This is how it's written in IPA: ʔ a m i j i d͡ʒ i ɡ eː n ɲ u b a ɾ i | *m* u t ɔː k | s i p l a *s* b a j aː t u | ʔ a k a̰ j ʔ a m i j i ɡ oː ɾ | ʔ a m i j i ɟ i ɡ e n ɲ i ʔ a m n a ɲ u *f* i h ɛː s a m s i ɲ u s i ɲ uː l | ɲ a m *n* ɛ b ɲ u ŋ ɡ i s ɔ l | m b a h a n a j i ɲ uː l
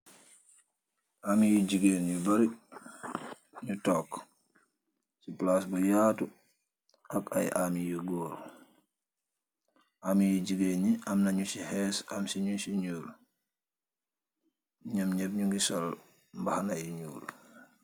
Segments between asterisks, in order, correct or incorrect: incorrect: ɲ, correct, incorrect: s, incorrect: ɲ

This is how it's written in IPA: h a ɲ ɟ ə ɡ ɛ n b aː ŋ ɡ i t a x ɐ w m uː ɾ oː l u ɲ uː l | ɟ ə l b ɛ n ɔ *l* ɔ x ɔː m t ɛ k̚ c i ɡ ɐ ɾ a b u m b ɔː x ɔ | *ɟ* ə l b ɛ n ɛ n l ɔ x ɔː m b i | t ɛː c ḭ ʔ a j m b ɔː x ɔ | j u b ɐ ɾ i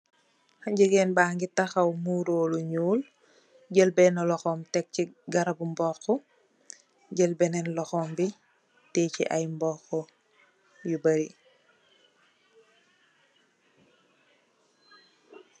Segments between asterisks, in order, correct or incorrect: correct, correct

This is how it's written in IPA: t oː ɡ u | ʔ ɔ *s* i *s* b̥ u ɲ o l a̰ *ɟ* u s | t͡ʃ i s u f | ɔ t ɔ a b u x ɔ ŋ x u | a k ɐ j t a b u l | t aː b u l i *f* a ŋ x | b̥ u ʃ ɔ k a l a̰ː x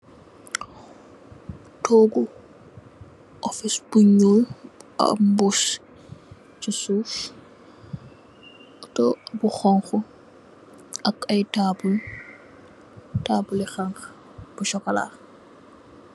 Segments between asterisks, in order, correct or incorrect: incorrect: f, correct, incorrect: b, incorrect: x

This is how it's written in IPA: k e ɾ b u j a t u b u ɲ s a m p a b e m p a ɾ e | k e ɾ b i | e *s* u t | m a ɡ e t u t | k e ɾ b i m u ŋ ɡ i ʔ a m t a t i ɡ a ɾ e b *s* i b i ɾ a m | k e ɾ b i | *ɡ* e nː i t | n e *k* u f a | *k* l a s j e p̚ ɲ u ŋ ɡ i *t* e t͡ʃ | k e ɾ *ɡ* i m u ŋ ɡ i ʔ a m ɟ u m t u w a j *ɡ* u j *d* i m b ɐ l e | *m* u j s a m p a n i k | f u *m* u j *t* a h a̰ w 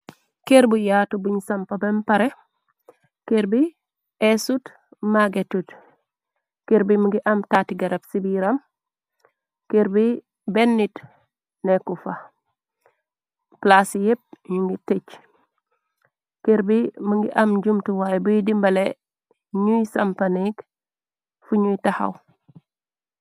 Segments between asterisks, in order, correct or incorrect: correct, correct, incorrect: b, correct, incorrect: p, correct, incorrect: b, incorrect: b, correct, incorrect: ɲ, incorrect: ɲ, correct

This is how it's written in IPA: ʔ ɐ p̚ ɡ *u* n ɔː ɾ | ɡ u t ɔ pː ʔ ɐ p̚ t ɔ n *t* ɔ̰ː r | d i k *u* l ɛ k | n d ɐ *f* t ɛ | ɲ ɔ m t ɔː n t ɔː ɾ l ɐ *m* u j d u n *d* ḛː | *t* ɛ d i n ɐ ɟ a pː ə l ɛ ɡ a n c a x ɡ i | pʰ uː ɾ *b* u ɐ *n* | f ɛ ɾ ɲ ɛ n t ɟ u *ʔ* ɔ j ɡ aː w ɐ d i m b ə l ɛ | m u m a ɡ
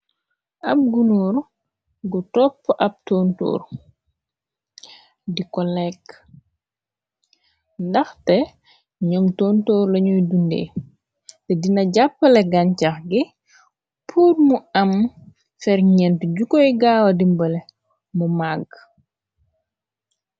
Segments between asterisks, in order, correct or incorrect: correct, correct, incorrect: ɔ, incorrect: x, incorrect: ɲ, correct, correct, incorrect: m, incorrect: m, incorrect: k

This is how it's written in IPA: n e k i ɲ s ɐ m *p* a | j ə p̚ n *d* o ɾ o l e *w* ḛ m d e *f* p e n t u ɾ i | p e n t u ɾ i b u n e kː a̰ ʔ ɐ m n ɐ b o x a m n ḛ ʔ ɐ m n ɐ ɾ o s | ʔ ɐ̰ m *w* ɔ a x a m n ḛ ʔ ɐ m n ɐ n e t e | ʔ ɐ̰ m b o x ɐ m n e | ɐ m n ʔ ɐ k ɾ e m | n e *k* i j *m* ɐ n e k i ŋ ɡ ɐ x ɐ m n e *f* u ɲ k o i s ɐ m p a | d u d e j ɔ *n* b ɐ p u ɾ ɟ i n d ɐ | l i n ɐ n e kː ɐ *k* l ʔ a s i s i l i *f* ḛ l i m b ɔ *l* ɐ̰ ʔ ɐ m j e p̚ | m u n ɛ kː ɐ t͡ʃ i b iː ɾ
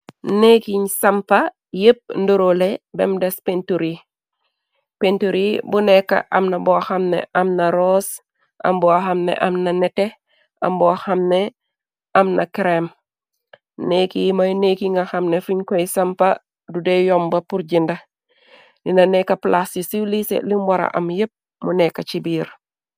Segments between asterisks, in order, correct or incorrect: correct, correct, incorrect: b, incorrect: s, incorrect: b, correct, correct, correct, incorrect: m, incorrect: p, incorrect: s, incorrect: ɾ

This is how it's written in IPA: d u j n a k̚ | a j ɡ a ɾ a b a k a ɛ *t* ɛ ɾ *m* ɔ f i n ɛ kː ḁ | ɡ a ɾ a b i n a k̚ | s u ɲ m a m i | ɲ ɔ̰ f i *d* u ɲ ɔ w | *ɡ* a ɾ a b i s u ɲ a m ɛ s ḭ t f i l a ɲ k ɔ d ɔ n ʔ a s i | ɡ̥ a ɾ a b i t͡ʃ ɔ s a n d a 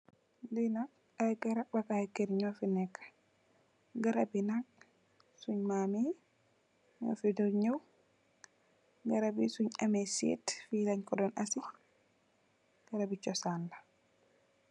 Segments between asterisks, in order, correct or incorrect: incorrect: k, incorrect: ɲ, correct, correct

